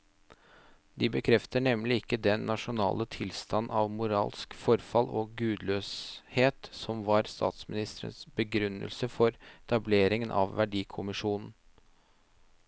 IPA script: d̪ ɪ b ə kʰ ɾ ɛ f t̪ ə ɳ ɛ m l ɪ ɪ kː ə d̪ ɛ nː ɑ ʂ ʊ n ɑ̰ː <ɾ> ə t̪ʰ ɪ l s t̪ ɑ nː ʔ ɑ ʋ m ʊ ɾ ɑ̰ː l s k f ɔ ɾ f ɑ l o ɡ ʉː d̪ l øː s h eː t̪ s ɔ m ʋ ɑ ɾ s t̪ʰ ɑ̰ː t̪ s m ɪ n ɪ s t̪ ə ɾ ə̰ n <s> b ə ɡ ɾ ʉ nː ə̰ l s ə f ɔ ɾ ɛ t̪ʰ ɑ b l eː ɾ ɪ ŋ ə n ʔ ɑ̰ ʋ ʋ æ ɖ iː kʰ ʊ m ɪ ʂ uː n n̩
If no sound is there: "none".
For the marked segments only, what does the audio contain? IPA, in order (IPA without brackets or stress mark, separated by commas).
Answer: l, s